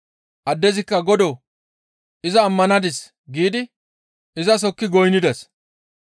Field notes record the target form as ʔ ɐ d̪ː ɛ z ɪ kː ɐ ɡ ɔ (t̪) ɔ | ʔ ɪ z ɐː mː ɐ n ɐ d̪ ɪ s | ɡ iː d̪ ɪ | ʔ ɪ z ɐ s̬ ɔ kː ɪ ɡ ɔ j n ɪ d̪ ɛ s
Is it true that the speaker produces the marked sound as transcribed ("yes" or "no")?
no